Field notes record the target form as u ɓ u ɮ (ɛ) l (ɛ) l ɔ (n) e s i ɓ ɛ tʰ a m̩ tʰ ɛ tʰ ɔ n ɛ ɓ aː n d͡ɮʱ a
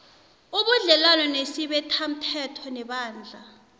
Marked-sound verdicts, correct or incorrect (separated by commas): correct, incorrect, correct